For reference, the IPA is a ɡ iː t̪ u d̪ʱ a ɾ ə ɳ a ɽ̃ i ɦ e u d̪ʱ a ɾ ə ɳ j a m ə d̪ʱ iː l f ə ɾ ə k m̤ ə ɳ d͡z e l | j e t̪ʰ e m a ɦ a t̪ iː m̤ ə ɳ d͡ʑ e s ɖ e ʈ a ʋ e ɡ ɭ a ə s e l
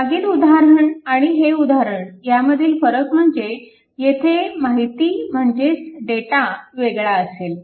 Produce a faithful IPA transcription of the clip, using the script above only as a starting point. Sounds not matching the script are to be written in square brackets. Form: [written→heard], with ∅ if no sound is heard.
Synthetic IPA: a ɡ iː t̪ u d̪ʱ a ɾ ə ɳ a ɽ̃ i ɦ e u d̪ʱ a ɾ ə ɳ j a m ə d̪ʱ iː l f ə ɾ ə k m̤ ə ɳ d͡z e [l→∅] | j e t̪ʰ e m a ɦ [a→i] t̪ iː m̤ ə ɳ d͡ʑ e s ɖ e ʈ a ʋ e ɡ ɭ a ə s e l

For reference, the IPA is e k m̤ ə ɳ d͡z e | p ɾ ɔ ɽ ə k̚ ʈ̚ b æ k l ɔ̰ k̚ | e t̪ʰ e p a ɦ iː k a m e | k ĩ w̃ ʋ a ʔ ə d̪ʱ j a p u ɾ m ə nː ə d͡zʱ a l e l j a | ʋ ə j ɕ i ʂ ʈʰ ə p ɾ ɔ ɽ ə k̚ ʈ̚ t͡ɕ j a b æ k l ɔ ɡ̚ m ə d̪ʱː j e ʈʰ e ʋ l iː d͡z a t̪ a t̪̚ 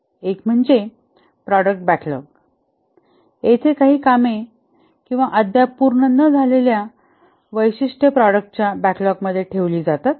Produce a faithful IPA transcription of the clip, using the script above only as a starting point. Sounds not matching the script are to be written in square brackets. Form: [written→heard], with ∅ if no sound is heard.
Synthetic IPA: e k m̤ ə ɳ d͡z e | p ɾ ɔ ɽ ə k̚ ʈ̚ b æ k l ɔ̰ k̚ | e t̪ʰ e [p→k] a ɦ iː k a m e | k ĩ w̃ ʋ a ʔ ə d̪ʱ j a p u ɾ [m→ɳ] ə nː ə d͡zʱ a l e l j a | ʋ ə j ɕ i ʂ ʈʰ ə p ɾ ɔ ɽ ə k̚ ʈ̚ t͡ɕ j a b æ k l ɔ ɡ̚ m ə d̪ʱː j e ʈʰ e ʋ l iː d͡z a t̪ a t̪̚

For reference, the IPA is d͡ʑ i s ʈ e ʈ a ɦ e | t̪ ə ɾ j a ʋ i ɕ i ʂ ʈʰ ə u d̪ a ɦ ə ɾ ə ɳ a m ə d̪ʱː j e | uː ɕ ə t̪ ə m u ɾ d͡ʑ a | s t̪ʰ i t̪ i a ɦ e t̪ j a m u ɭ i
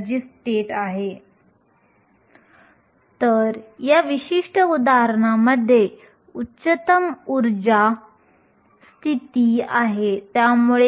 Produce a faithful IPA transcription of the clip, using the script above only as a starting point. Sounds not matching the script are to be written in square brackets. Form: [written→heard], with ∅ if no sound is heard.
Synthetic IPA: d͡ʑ i s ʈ e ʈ a ɦ e | t̪ ə ɾ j a ʋ i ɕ i ʂ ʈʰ ə u d̪ a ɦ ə ɾ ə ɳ a m ə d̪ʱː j e | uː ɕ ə t̪ ə m u ɾ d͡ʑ a | s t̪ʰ i t̪ i a ɦ e t̪ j a m u ɭ [i→e]

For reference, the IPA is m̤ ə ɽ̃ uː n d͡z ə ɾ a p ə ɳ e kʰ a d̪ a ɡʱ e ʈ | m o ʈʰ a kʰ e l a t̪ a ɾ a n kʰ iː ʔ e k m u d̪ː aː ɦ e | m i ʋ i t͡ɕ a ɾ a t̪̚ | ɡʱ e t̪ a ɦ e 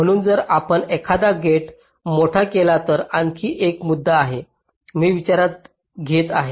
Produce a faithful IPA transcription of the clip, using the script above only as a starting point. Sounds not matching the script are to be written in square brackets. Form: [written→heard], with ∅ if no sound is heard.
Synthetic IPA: m̤ ə ɽ̃ uː n d͡z ə ɾ a p ə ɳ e kʰ a d̪ a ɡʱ e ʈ | m o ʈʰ a [kʰ→k] e l a t̪ [a→ə] ɾ a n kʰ iː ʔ e k m u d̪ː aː ɦ e | m [i→iː] ʋ i t͡ɕ a ɾ a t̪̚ | ɡʱ e t̪ a ɦ e

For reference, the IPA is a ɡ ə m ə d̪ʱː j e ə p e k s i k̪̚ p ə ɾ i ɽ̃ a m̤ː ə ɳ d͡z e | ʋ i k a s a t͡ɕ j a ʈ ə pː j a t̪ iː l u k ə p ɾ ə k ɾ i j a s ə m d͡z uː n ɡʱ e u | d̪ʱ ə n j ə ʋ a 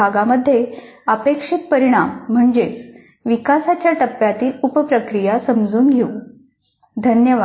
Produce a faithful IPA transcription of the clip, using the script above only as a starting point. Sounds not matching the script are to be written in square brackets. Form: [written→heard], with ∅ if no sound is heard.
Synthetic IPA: a ɡ [ə→a] m ə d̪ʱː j e ə p e k [s→ʂ] i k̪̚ p ə ɾ i ɽ̃ a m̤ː ə ɳ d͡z e | ʋ i k a s a t͡ɕ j a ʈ ə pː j a t̪ iː l u [k→p] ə p ɾ ə k ɾ i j a s ə m d͡z uː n ɡʱ e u | d̪ʱ ə n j ə ʋ a

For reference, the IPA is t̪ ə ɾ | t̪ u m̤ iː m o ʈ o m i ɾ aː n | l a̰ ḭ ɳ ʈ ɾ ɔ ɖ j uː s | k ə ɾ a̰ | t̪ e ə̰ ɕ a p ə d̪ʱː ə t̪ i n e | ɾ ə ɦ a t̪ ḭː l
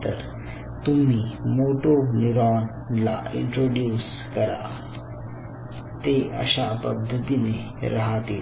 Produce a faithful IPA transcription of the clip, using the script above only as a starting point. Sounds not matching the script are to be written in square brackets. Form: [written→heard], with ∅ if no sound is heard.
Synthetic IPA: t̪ ə ɾ | t̪ u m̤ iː m o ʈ o [m→n] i ɾ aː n | l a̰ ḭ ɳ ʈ ɾ [ɔ→o] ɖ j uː s | k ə ɾ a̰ | t̪ e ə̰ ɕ a p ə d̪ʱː ə t̪ i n e | ɾ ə ɦ a t̪ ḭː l

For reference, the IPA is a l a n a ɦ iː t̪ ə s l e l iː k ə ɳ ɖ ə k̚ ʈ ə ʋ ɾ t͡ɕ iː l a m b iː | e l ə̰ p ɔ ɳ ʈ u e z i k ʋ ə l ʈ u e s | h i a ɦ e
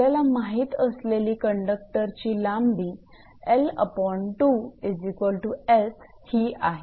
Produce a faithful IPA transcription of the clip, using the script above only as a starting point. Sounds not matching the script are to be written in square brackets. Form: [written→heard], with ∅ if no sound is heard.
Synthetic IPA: a l a [n→m] a ɦ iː t̪ ə s l e l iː k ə ɳ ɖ ə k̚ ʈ ə [ʋ→∅] ɾ t͡ɕ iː l a m b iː | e l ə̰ p ɔ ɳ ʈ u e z i k ʋ ə l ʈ u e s | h i a ɦ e

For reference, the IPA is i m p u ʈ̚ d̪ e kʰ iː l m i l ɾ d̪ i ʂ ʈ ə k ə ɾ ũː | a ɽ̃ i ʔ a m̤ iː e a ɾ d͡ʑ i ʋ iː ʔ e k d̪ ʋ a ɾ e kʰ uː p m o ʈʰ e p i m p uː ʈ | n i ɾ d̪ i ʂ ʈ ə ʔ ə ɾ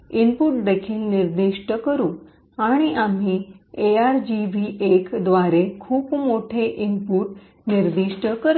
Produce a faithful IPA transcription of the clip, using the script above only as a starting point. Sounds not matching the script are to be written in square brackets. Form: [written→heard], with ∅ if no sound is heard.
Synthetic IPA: i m p u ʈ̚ d̪ e kʰ iː l [m→n] i [l→∅] ɾ d̪ i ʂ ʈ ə k ə ɾ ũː | a ɽ̃ i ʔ a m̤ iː e a ɾ d͡ʑ i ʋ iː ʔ e k d̪ ʋ a ɾ e kʰ uː p m o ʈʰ e [p→ʔ] i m p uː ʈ | n i ɾ d̪ i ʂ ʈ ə [ʔ→k] ə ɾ

